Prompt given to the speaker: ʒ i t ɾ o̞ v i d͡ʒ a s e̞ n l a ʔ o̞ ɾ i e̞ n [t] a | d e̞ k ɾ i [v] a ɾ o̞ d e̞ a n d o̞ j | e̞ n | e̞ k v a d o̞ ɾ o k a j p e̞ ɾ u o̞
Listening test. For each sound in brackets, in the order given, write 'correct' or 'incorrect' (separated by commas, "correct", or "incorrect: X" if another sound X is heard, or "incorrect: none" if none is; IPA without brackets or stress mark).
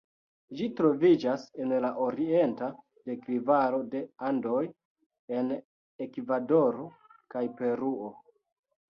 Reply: correct, correct